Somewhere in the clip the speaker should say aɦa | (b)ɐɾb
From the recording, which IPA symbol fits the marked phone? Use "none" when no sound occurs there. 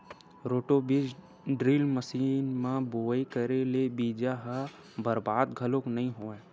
b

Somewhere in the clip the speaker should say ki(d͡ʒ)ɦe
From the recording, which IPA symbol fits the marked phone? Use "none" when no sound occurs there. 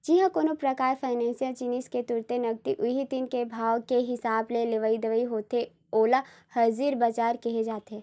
none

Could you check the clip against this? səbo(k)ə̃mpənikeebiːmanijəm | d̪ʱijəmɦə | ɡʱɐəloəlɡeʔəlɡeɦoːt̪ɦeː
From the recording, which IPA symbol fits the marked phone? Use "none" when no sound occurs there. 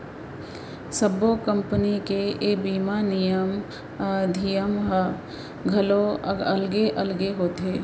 k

